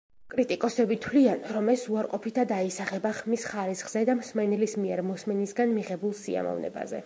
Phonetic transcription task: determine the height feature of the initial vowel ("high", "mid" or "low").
high